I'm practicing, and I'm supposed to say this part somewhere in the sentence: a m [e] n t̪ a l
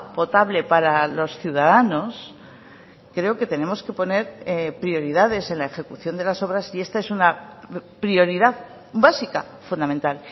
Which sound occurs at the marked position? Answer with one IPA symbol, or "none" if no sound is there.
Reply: ẽ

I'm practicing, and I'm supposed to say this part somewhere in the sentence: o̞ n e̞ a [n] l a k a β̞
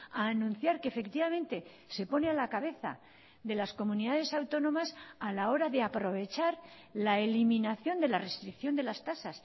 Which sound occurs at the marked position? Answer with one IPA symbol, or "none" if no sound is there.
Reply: none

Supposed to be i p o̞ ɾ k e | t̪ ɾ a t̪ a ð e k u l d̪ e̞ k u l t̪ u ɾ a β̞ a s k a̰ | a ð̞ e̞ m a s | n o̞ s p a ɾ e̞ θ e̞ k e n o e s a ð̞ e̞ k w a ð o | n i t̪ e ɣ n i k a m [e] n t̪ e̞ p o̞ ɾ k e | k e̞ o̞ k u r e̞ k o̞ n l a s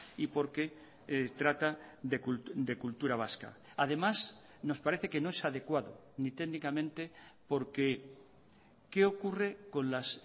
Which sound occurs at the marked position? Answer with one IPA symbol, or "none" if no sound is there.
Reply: ẽ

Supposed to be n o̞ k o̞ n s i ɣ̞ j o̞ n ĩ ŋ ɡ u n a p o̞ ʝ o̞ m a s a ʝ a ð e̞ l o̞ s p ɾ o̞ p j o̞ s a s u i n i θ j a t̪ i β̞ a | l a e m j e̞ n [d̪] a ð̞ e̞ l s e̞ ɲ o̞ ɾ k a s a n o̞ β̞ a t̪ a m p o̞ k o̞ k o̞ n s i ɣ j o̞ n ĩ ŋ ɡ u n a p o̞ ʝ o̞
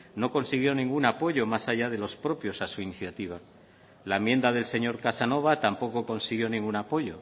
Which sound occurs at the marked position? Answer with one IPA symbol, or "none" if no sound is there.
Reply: d̪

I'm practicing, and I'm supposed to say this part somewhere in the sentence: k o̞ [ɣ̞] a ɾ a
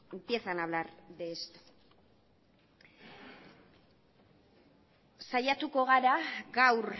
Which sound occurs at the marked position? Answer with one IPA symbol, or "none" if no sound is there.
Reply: ɣ̞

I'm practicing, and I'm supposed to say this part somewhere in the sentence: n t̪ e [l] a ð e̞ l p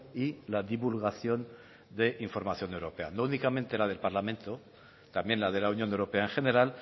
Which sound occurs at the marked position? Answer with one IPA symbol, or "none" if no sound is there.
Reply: l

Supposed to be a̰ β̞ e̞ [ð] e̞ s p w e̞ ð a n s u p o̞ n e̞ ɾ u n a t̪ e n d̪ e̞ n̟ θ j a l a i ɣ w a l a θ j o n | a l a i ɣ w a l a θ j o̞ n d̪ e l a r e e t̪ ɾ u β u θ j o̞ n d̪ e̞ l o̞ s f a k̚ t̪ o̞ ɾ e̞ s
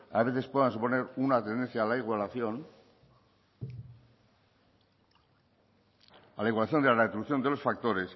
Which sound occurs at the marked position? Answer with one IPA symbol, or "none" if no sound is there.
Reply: θ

